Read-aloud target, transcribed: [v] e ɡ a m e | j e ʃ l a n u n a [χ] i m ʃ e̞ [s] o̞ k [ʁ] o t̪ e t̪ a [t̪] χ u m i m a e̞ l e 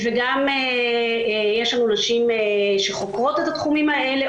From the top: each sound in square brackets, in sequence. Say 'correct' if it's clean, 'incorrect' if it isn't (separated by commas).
correct, incorrect, incorrect, correct, correct